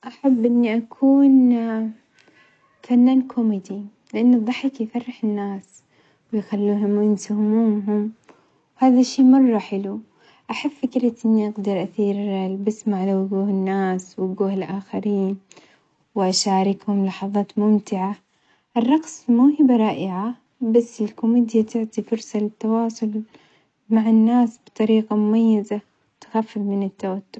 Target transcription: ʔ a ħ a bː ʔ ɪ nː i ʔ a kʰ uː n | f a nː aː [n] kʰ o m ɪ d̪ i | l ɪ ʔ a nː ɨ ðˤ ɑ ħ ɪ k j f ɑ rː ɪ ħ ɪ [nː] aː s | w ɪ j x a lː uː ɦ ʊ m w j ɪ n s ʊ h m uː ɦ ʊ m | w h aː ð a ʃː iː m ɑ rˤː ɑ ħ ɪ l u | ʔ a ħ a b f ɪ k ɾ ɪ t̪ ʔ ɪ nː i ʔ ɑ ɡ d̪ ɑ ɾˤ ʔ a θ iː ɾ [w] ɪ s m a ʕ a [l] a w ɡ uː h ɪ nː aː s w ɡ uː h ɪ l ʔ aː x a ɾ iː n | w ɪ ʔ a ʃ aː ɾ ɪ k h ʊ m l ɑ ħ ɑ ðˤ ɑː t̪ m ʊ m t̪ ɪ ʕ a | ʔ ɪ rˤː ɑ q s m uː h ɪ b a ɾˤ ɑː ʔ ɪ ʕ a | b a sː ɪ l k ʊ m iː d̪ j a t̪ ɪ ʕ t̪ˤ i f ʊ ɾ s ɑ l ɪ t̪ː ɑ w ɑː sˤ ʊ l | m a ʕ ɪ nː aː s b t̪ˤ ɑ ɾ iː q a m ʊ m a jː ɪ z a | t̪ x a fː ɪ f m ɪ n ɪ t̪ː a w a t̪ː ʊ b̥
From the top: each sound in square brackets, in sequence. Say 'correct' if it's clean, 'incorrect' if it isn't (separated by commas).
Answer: correct, correct, incorrect, correct